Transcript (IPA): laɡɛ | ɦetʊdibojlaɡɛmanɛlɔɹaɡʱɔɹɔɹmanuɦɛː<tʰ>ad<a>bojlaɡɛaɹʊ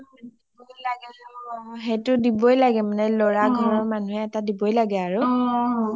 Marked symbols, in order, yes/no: no, no

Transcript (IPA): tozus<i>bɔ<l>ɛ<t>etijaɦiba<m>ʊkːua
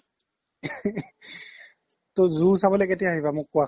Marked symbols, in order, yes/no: no, yes, no, yes

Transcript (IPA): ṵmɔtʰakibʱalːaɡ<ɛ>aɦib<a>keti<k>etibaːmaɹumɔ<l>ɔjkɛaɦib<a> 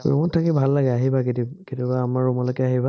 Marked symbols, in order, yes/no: yes, yes, yes, yes, yes

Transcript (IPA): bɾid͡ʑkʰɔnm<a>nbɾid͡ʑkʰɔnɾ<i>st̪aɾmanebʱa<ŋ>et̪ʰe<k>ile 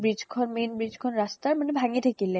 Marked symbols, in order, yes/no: no, no, yes, yes

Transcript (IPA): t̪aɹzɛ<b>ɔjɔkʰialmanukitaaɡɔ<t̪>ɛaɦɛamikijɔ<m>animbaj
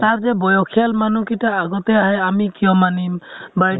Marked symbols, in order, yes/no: yes, yes, yes

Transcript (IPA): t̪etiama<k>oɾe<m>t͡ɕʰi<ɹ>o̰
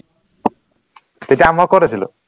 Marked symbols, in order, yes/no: yes, no, no

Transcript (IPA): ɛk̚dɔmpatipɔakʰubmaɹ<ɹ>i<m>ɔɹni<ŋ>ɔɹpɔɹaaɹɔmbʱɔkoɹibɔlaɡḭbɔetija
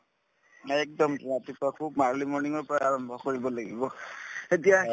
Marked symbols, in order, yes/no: no, yes, yes

